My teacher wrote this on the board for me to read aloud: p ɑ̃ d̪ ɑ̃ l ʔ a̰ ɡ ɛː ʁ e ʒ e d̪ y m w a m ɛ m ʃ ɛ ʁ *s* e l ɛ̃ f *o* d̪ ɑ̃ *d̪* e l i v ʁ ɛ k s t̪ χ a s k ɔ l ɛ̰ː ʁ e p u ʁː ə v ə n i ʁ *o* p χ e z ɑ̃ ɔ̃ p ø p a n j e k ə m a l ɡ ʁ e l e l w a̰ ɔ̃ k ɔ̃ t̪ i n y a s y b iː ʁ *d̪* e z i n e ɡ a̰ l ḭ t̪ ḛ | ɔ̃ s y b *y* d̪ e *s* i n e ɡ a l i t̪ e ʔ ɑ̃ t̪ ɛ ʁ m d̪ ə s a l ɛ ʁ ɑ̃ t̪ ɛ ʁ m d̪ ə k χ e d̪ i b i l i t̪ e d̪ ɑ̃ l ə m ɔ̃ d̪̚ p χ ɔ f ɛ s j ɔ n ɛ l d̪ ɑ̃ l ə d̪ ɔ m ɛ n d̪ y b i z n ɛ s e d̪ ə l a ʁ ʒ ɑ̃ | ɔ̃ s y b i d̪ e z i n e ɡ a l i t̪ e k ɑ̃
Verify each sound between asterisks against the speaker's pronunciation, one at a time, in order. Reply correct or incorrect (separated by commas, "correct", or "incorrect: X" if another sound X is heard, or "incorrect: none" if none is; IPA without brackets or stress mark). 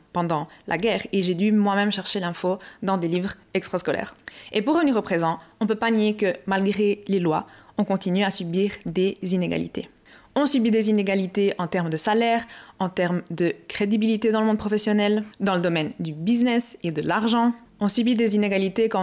incorrect: ʃ, correct, correct, correct, correct, incorrect: i, incorrect: z